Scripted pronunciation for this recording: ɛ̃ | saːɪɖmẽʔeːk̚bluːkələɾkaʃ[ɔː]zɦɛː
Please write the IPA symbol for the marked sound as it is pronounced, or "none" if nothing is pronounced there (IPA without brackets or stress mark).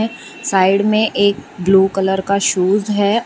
uː